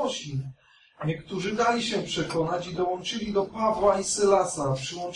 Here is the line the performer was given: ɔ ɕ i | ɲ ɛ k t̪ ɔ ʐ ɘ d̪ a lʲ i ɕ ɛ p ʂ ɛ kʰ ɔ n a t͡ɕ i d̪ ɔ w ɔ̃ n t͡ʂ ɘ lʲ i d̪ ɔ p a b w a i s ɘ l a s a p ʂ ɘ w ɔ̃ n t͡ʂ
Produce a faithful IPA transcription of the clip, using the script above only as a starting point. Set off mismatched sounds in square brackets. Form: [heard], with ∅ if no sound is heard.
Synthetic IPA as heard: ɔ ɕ i | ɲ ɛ k t̪ [u] ʐ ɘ d̪ a lʲ i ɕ ɛ p ʂ ɛ [k] ɔ n a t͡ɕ i d̪ ɔ w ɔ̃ n t͡ʂ ɘ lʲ i d̪ ɔ p a [v] w a i s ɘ l a s a p ʂ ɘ w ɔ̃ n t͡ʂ